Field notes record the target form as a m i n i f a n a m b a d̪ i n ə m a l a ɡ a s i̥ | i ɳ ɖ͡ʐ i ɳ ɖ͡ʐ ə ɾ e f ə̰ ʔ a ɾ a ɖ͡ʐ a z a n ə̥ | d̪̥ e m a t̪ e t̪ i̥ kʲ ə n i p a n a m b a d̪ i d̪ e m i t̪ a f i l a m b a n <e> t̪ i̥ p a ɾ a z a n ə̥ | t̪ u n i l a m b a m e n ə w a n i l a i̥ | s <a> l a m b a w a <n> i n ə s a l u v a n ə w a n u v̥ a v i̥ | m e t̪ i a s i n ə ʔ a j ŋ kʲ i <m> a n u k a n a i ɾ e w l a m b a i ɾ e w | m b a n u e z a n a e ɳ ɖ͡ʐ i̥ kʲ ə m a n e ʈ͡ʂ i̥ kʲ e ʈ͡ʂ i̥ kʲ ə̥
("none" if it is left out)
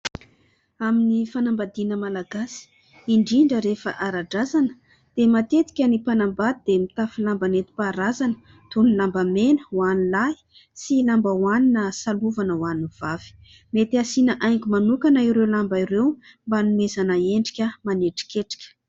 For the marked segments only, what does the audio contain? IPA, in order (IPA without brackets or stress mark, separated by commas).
e, i, n, m